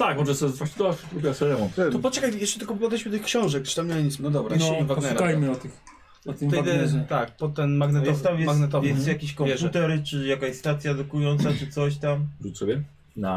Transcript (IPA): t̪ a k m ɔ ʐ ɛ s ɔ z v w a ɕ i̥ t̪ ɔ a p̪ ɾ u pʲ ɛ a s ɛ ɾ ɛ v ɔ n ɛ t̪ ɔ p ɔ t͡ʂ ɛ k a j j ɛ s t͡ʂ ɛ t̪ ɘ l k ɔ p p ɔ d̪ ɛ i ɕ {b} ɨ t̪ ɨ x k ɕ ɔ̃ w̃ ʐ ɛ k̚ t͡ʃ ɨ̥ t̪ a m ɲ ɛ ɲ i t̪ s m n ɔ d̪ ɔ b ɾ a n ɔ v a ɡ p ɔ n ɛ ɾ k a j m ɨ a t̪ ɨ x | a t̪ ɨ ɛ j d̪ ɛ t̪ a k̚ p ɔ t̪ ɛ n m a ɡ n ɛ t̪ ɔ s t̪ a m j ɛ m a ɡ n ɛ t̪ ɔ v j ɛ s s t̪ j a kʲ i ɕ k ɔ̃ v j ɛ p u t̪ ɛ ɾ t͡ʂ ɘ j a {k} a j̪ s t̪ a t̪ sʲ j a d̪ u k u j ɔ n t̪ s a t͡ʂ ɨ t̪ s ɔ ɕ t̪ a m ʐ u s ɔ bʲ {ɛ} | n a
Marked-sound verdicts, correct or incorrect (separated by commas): incorrect, correct, correct